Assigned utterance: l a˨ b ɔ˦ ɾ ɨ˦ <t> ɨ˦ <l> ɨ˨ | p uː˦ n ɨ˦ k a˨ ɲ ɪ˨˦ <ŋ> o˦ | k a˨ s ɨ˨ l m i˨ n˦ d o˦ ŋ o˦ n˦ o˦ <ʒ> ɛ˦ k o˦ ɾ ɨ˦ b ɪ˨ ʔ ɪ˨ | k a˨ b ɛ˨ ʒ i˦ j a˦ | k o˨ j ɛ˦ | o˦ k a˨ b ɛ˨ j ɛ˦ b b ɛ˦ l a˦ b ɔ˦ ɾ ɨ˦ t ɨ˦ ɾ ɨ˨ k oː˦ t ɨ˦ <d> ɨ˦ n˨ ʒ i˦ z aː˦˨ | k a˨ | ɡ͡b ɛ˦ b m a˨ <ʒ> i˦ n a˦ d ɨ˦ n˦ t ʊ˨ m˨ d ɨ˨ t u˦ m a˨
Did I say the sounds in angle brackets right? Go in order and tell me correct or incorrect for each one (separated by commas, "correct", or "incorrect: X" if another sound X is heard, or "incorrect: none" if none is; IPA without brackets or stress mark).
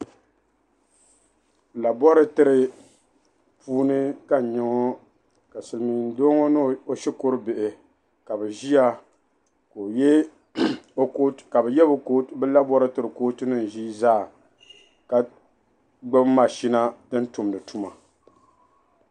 correct, incorrect: ɾ, correct, incorrect: ʃ, incorrect: n, incorrect: ʃ